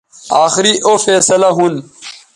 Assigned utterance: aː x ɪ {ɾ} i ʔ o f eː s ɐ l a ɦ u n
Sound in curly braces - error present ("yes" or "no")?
no